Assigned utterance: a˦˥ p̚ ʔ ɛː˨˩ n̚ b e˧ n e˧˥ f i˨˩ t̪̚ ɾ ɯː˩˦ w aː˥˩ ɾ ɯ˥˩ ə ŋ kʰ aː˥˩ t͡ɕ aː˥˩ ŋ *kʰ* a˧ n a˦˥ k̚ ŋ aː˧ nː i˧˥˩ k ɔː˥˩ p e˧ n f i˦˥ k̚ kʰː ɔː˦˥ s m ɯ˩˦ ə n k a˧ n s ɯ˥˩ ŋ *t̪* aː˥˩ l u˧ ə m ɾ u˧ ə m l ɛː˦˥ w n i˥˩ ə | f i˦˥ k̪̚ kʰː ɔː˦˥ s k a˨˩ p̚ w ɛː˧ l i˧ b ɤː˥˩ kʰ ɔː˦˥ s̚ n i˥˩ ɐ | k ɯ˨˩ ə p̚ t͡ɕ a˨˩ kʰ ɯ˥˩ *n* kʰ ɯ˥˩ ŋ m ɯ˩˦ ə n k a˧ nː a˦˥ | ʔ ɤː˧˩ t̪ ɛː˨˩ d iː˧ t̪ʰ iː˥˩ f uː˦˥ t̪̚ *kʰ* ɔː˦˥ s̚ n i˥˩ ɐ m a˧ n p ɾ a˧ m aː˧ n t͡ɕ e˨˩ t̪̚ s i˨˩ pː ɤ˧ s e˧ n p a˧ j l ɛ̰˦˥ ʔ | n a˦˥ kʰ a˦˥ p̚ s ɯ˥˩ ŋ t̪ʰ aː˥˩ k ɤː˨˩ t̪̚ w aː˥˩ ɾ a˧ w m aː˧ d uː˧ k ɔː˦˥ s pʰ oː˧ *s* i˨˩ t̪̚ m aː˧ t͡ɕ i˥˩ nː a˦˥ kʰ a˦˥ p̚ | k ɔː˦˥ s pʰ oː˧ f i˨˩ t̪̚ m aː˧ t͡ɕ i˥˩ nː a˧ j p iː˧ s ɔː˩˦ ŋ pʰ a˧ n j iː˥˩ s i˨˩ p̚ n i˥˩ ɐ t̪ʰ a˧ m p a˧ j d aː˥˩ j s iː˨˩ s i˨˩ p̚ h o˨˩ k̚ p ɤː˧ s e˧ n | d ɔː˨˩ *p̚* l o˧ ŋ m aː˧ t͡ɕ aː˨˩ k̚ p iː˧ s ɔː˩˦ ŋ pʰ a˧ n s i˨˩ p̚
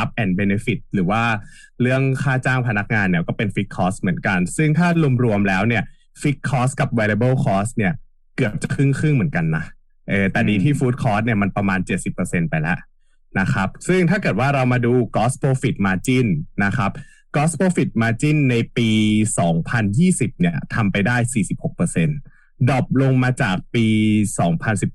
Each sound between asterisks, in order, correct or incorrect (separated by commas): incorrect, incorrect, incorrect, correct, incorrect, correct